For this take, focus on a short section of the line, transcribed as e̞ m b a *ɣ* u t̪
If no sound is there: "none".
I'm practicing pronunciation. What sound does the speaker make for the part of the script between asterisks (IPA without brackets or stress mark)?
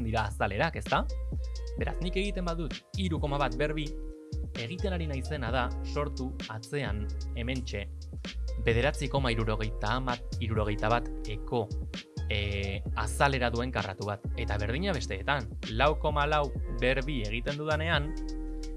ð